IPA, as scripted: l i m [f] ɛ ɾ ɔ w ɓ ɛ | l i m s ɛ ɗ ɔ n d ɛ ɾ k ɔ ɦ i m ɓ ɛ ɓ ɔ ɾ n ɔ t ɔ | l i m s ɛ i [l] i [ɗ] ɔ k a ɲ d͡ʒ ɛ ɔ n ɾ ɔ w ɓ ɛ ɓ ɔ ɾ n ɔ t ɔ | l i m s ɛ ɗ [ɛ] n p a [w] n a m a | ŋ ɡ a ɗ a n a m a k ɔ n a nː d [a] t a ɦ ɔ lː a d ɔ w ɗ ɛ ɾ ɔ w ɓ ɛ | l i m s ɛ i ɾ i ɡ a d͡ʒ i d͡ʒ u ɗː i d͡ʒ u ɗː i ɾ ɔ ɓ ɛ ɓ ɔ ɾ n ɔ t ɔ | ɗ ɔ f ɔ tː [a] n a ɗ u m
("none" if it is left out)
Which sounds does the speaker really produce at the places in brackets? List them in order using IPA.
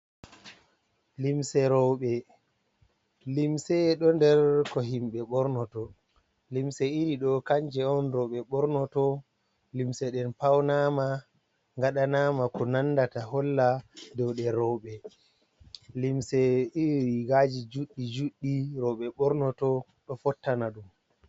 s, ɾ, ɗ, ɛ, w, a, a

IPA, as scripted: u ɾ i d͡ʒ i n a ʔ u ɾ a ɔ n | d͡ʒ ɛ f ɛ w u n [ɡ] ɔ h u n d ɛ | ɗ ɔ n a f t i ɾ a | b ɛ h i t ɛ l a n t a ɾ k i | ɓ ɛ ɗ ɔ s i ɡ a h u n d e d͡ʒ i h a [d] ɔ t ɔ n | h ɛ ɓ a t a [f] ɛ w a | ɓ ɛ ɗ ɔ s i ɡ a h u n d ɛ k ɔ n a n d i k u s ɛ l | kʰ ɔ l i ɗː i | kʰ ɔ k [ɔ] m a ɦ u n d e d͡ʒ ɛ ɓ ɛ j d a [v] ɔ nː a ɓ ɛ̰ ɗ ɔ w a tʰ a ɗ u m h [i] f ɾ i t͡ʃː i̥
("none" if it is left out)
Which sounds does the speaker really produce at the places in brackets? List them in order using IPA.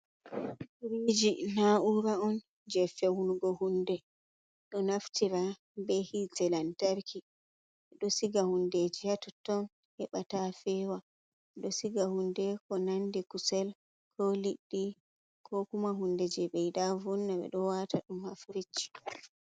ɡ, t, f, u, v, a

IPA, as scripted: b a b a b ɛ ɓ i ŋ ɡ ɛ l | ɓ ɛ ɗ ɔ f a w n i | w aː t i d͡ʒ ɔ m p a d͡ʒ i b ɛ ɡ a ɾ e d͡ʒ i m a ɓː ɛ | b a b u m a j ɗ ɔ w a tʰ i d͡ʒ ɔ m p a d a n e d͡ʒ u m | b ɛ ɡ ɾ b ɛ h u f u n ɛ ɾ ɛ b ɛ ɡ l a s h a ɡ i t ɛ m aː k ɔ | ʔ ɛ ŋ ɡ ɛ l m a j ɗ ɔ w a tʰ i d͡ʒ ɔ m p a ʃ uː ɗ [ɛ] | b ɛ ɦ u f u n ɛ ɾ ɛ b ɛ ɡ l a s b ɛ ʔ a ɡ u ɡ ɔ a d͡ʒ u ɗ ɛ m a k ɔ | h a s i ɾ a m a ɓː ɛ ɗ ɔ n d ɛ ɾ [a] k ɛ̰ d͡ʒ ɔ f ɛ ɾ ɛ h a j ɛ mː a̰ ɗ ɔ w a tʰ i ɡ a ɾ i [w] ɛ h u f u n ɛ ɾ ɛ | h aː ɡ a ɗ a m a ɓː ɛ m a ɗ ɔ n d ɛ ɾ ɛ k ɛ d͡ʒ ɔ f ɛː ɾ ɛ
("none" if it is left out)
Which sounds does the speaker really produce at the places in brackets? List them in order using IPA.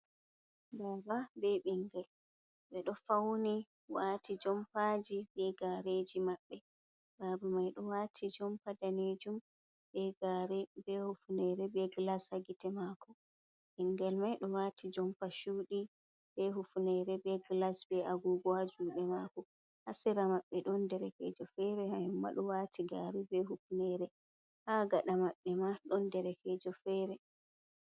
i, ɛ, b

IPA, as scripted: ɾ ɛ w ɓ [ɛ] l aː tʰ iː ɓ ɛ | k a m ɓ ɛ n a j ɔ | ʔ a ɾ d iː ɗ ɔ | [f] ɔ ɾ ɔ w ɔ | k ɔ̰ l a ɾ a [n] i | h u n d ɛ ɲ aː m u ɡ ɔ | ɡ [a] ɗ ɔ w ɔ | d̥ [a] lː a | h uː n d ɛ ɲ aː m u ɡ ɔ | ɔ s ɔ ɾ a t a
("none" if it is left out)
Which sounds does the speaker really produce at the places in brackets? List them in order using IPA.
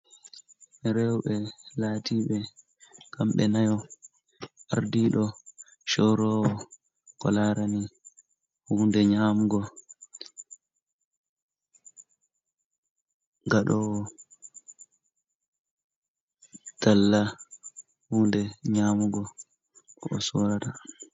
ɛ, ʃ, n, a, a

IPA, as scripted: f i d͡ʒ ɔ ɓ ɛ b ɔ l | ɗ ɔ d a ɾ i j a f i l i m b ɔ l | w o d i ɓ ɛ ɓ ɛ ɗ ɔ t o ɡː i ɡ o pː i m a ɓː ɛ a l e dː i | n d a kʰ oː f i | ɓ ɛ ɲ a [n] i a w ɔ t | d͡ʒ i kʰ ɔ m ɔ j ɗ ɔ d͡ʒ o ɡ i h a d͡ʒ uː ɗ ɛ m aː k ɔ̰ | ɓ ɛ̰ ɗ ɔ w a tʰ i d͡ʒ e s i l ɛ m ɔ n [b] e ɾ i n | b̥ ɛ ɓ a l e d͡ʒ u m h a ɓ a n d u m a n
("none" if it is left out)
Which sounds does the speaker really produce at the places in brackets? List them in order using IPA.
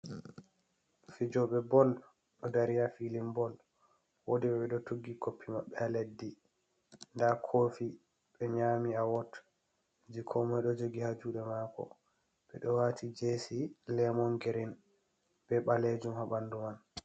m, ɡ

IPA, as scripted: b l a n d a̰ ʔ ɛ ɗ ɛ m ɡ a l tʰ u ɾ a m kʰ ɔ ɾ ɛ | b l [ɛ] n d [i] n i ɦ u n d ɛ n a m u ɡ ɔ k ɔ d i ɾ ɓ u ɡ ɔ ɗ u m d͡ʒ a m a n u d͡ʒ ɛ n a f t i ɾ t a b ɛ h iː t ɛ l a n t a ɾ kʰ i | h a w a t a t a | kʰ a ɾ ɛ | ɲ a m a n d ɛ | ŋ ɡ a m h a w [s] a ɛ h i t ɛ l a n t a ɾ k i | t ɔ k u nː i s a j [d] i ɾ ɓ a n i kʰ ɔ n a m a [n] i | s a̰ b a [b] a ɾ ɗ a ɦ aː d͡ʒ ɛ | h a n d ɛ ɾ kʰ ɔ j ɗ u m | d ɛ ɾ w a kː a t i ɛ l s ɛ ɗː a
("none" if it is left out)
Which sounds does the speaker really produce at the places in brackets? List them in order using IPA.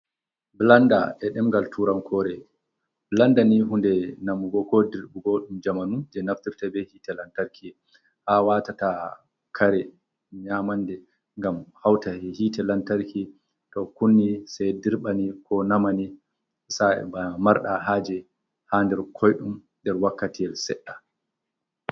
a, a, t, d, n, m

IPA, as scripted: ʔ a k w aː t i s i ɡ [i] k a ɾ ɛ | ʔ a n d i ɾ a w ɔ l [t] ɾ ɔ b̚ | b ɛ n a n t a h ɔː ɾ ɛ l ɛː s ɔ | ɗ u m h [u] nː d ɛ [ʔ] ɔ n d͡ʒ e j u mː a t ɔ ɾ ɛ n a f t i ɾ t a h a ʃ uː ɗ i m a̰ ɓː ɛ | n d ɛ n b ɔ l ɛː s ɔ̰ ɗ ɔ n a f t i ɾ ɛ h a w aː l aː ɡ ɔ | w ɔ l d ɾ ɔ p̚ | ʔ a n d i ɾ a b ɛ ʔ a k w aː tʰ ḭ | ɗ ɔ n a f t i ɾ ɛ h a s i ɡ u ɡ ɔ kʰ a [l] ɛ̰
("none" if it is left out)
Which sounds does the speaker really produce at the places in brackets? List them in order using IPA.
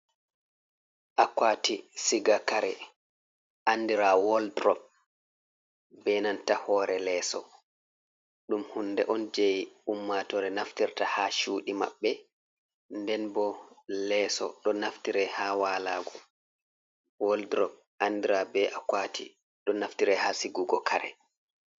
a, d, u, ʔ, ɾ

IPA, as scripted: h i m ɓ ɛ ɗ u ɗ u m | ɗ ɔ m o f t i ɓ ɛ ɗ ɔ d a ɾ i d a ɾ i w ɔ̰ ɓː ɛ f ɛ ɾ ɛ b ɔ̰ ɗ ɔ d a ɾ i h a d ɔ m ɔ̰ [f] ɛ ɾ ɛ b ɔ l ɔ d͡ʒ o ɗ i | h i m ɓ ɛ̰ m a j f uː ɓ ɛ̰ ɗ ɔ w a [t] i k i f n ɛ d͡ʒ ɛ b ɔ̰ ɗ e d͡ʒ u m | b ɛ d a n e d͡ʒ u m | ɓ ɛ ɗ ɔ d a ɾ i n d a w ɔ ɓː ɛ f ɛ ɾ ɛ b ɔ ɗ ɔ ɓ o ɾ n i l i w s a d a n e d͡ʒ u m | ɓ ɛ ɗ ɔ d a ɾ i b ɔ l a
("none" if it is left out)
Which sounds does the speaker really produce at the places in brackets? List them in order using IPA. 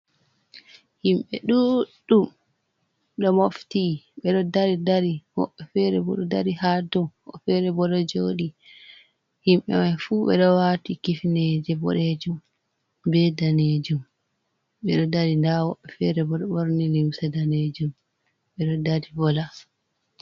f, t

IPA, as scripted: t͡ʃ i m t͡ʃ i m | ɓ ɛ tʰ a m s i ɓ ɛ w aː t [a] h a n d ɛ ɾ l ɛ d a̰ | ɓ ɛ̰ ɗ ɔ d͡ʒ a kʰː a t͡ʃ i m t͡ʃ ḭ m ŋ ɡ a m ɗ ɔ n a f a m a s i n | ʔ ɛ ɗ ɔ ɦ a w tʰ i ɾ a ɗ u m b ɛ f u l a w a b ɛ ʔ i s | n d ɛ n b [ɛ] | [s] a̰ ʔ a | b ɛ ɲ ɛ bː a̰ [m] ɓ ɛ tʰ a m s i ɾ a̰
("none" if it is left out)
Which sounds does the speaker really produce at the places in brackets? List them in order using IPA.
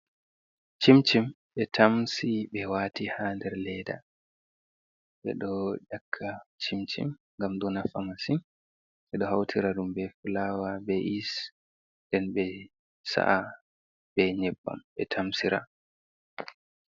i, ɛ, s, m

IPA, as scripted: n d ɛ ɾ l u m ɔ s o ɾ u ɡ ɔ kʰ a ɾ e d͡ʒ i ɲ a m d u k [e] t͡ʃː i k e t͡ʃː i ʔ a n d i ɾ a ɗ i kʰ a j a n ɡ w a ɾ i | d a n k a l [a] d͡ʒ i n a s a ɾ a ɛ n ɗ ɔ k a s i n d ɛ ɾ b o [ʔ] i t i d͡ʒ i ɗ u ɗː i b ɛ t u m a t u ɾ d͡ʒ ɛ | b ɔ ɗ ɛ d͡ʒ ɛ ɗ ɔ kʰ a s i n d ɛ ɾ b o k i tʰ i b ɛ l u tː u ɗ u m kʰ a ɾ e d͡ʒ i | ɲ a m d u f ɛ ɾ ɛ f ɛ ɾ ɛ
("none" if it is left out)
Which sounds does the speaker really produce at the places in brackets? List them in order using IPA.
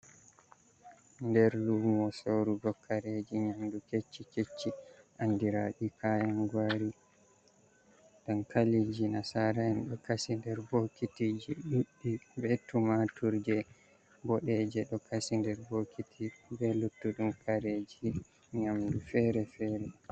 e, i, k

